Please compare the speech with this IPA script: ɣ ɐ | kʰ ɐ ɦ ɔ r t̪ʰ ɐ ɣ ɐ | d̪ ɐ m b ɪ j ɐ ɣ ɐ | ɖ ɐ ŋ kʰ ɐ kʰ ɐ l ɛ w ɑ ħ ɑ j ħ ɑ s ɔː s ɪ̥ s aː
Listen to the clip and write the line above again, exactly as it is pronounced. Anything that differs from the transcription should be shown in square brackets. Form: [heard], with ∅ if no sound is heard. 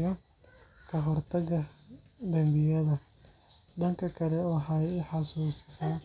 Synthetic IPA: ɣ ɐ | kʰ ɐ ɦ ɔ r t̪ʰ ɐ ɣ ɐ | d̪ ɐ m b ɪ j ɐ [ð] ɐ | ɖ ɐ ŋ kʰ ɐ kʰ ɐ l ɛ w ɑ ħ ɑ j ħ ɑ s [uː] s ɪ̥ s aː